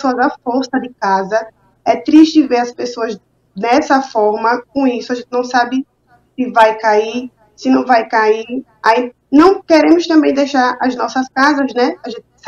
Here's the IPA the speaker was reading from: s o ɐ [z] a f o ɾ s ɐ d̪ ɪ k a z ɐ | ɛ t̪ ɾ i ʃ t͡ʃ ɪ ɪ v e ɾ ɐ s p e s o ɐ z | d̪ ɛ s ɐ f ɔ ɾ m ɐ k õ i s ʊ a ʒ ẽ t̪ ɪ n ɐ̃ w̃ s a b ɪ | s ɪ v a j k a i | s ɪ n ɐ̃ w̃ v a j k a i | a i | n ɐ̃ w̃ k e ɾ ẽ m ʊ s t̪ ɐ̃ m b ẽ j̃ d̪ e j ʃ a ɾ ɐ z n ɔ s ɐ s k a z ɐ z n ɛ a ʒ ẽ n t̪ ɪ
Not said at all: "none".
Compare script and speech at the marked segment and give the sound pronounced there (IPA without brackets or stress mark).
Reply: z